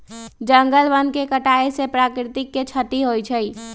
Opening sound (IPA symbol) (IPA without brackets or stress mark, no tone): d͡ʒ